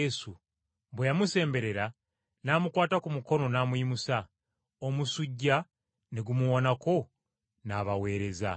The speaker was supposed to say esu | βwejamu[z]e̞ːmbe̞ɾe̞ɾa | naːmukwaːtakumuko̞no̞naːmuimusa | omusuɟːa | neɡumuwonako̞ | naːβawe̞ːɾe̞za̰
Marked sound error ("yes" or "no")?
yes